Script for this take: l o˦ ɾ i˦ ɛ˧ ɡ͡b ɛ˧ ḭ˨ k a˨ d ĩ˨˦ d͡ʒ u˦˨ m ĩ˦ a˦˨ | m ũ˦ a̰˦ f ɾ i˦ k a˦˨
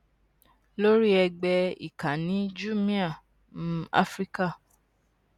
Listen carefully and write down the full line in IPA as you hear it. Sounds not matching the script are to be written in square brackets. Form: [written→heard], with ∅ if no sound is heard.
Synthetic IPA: l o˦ ɾ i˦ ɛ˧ ɡ͡b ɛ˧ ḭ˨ k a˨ [d→n] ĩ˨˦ d͡ʒ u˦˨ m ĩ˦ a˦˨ | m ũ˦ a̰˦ f ɾ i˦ k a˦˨